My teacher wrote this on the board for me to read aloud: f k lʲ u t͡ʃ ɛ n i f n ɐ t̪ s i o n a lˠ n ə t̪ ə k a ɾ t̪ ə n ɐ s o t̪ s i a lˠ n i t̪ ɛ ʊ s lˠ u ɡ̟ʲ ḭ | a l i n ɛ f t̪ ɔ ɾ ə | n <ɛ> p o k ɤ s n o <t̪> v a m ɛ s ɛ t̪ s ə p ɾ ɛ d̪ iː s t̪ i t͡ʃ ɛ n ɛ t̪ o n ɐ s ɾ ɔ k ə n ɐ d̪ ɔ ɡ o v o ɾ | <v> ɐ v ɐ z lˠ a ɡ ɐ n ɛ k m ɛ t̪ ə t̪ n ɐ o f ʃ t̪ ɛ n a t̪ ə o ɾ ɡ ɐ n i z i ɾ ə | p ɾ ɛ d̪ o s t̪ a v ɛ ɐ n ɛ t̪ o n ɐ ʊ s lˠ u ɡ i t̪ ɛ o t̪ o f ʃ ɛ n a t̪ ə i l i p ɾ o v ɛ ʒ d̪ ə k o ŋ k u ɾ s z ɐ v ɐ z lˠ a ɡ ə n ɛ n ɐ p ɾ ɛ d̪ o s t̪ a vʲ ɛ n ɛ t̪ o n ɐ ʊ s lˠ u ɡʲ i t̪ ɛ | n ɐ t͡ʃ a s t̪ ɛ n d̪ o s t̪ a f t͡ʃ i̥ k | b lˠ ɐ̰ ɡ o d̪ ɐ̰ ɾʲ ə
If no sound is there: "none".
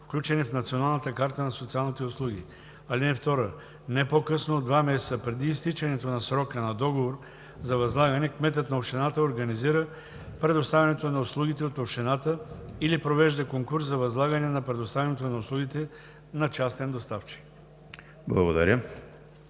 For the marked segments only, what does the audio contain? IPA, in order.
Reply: ɛ, d̪, z

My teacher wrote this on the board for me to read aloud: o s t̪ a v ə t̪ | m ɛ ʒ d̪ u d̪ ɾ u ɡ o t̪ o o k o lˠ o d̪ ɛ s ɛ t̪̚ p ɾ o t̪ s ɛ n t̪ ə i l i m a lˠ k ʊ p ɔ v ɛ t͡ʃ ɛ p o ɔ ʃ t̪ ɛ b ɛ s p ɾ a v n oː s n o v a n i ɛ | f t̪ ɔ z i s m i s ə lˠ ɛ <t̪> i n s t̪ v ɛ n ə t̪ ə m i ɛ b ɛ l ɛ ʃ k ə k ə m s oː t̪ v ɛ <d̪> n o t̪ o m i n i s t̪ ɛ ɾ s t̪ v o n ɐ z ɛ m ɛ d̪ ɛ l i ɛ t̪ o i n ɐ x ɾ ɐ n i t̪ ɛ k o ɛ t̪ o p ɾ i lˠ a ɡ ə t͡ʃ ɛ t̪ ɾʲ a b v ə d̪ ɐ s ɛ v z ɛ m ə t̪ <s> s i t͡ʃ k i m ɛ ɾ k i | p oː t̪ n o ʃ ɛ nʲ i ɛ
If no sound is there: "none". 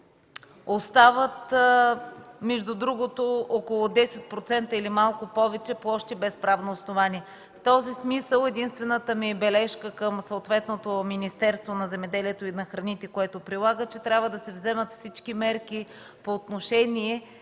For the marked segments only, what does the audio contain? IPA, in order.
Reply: d̪, t̪, f

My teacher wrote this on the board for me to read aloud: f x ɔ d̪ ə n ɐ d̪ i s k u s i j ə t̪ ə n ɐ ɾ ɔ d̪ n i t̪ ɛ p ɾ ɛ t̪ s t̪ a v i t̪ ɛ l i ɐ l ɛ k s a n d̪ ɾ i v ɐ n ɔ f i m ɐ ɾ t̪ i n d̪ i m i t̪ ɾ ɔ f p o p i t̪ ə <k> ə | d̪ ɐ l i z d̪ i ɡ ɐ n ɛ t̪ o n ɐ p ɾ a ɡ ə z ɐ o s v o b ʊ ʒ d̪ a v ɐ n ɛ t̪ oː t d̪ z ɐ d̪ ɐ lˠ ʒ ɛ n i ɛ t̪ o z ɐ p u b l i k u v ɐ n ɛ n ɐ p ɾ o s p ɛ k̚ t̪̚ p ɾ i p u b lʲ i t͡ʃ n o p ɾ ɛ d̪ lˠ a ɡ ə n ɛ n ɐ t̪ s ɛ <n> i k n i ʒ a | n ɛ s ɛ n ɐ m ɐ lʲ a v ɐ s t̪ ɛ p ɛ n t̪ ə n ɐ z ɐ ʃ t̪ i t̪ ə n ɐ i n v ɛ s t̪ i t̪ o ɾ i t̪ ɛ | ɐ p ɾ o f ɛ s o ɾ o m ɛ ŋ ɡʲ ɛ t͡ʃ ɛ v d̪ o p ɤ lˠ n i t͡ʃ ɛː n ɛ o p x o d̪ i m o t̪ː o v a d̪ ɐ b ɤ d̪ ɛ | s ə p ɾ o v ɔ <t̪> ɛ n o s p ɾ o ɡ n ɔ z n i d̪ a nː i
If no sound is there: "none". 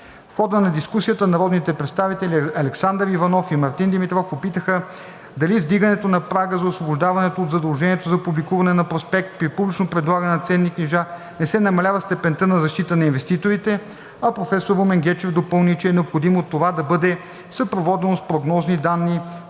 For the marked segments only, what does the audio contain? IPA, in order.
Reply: x, nː, d̪

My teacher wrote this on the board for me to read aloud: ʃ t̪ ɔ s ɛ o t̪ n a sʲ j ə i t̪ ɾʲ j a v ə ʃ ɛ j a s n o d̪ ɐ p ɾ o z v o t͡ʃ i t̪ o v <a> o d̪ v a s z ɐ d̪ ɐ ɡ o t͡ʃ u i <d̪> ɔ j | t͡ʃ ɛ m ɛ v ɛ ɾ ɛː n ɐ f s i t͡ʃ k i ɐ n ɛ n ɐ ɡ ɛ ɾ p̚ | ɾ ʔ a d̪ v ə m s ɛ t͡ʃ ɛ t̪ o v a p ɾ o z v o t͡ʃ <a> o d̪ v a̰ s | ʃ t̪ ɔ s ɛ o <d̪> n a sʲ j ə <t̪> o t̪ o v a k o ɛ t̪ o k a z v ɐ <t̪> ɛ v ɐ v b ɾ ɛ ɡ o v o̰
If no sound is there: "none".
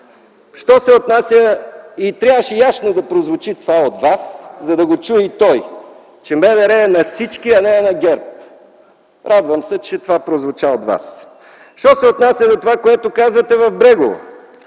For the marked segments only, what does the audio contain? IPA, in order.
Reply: a, t̪, a, t̪, d̪, t̪

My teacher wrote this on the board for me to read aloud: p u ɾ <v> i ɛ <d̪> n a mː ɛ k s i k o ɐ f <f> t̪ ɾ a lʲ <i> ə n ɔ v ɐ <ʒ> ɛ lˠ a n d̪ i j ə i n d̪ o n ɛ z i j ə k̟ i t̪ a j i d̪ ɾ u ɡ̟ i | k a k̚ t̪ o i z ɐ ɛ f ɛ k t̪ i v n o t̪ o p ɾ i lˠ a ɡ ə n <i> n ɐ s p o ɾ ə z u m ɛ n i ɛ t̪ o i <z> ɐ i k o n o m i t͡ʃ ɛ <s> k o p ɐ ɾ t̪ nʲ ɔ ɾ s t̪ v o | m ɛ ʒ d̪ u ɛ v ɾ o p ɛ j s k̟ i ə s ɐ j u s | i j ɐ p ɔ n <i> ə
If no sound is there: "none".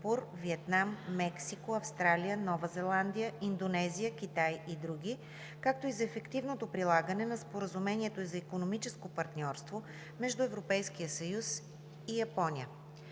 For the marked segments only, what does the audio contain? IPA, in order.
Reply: v, t̪, s, i, z, ɛ, z, s, i

